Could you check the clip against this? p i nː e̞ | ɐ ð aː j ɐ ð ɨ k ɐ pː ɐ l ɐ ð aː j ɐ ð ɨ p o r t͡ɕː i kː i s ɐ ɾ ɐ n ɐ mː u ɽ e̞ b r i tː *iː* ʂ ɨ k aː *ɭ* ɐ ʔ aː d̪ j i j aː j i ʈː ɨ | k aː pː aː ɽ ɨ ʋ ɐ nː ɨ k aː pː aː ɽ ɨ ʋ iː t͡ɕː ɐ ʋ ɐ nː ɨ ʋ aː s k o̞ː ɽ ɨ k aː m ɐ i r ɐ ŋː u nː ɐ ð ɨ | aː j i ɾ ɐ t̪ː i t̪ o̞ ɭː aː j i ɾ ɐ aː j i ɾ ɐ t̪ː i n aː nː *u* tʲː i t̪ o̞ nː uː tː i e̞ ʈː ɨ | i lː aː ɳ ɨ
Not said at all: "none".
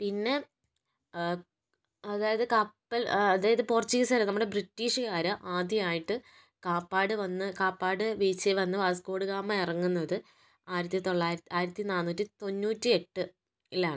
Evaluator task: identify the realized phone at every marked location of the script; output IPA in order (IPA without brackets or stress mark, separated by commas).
iː, ɾ, uː